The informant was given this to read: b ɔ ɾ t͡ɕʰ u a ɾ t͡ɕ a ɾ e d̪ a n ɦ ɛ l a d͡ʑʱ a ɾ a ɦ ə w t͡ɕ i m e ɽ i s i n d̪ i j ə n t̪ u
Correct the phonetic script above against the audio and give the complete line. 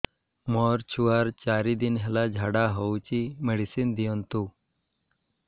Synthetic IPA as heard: m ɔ ɾ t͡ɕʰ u a ɾ t͡ɕ a ɾ i d̪ i n ɦ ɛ l a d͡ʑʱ a ɽ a ɦ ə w t͡ɕ i m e ɽ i s i n d̪ i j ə n t̪ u